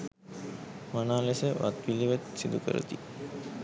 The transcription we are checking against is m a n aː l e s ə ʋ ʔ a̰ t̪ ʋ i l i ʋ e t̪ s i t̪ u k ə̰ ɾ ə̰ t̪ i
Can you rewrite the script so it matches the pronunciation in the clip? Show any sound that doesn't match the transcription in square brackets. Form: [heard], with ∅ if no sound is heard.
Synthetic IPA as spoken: m a n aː l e s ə ʋ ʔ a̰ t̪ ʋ i l i ʋ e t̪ s i [d̪] u k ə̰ ɾ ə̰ t̪ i